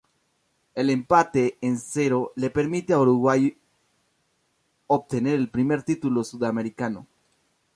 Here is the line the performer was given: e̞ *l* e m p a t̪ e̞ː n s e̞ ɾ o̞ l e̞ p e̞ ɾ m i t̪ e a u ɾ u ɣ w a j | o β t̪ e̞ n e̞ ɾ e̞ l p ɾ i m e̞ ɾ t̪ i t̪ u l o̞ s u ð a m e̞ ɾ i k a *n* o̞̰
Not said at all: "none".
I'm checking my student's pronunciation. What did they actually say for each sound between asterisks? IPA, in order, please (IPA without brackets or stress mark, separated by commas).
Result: l, n